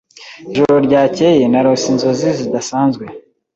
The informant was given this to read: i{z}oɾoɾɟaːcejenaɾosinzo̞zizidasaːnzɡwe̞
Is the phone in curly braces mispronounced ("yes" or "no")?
yes